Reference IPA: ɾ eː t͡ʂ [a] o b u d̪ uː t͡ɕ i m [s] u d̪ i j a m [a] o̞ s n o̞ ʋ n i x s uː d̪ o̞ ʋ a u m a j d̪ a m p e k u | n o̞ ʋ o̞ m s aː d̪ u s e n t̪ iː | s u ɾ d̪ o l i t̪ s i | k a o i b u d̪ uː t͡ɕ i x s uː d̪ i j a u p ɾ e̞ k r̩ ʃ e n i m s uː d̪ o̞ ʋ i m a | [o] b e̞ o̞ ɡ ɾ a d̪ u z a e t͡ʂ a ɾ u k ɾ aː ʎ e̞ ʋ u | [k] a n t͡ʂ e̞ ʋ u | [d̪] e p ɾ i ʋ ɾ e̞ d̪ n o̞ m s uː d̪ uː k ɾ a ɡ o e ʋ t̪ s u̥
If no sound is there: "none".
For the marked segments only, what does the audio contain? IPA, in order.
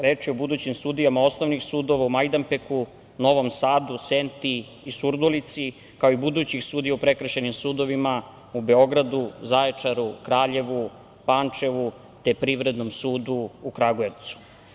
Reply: i, s, a, u, p, t̪

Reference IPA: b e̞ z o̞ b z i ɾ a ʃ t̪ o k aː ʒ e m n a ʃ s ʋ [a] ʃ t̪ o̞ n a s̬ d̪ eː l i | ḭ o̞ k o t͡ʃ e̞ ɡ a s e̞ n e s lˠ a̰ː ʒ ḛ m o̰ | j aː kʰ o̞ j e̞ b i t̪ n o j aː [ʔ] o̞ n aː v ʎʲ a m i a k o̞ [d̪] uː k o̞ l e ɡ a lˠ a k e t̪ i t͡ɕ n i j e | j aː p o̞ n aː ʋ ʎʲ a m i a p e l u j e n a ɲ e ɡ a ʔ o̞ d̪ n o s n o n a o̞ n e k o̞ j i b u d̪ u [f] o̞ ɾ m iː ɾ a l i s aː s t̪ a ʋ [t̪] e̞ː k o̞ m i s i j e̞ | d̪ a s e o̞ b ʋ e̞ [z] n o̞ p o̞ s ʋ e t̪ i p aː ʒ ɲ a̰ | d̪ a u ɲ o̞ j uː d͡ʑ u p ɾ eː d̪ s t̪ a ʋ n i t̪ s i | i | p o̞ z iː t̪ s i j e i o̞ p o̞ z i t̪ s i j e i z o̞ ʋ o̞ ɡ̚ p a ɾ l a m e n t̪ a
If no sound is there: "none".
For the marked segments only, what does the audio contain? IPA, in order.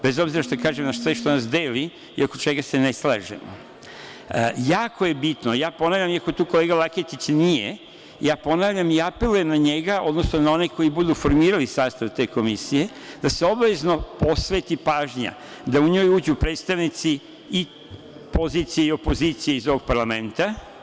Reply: e, p, t̪, f, t̪, z

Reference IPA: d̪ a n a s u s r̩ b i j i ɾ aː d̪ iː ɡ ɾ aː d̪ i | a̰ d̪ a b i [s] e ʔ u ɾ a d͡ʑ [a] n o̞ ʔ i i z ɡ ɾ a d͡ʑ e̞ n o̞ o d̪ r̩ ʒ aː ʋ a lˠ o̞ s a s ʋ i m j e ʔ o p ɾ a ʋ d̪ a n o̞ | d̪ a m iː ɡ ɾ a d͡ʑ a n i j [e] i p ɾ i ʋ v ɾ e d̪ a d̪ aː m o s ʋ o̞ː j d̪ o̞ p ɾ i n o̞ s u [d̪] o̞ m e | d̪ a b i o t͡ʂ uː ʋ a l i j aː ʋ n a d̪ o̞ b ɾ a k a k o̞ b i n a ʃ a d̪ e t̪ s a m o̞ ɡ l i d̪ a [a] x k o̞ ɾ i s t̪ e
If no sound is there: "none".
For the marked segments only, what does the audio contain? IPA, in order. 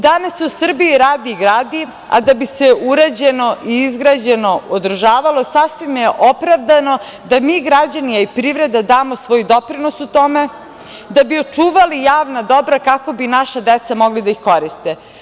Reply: s, e, a, t̪, i

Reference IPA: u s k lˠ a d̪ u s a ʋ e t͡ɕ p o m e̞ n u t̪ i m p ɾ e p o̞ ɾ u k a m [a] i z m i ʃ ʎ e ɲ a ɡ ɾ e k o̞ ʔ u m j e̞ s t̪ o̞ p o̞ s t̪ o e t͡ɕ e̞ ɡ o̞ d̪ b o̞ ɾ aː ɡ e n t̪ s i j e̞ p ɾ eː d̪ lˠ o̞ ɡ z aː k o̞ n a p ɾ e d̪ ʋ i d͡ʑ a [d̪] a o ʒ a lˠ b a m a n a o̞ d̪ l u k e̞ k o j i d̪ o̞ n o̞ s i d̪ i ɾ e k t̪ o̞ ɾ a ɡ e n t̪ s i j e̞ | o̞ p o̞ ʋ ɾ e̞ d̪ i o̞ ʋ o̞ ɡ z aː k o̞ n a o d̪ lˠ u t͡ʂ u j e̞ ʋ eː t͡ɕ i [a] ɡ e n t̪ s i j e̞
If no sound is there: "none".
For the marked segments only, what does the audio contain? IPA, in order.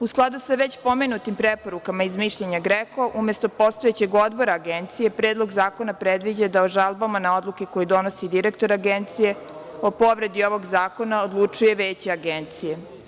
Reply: a, d̪, a

